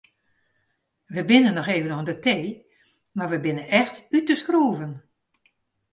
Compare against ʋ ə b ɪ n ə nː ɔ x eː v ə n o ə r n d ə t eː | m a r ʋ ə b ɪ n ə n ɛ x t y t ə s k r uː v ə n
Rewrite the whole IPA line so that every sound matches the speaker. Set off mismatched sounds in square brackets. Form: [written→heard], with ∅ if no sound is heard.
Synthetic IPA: ʋ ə b ɪ n ə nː ɔ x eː v ə n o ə [r→∅] n d ə t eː | m a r ʋ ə b ɪ n ə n ɛ x t y t ə s k r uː v ə n